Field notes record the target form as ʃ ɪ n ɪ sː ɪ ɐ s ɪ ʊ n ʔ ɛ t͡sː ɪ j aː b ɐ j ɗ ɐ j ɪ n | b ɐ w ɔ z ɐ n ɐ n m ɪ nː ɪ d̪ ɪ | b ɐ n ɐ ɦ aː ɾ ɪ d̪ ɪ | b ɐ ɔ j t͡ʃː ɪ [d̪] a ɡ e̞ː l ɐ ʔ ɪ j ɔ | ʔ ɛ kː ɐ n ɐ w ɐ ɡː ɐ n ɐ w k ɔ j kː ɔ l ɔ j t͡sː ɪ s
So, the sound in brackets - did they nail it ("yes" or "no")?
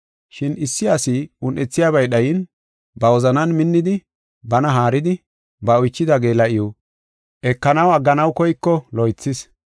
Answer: yes